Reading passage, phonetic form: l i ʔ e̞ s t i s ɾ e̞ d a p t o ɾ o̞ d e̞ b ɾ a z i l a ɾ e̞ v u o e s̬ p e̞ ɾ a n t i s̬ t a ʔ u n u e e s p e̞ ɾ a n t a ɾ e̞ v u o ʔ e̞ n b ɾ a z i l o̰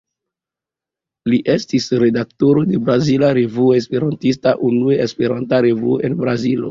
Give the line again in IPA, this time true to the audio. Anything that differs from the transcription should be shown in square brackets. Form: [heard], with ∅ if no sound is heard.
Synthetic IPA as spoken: l i ʔ e̞ s t i s ɾ e̞ d a [k] t o ɾ o̞ d e̞ b ɾ a z i l a ɾ e̞ v u o e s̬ p e̞ ɾ a n t i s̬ t a ʔ u n u e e s p e̞ ɾ a n t a ɾ e̞ v u o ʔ e̞ n b ɾ a z i l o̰